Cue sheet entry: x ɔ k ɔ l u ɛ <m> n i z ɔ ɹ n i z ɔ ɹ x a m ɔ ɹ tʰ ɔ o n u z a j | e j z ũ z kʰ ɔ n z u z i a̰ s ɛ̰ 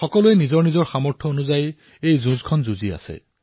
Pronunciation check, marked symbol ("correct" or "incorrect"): incorrect